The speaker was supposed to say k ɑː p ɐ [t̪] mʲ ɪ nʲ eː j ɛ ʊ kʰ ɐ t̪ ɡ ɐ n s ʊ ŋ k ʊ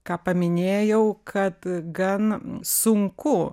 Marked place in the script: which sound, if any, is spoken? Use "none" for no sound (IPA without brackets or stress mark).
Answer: none